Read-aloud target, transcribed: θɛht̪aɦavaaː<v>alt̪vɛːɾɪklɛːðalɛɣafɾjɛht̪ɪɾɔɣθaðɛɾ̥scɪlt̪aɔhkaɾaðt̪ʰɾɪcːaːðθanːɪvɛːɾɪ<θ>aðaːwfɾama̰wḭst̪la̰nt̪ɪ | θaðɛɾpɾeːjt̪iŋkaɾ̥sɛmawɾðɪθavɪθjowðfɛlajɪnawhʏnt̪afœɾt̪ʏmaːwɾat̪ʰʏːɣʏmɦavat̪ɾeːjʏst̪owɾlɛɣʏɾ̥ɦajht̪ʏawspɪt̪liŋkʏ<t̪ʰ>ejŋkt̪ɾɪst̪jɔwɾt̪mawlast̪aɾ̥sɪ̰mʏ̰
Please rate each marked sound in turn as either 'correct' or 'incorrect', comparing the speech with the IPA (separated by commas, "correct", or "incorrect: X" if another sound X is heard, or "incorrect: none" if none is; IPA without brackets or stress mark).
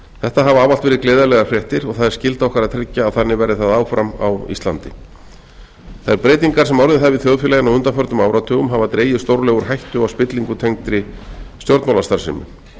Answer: correct, correct, correct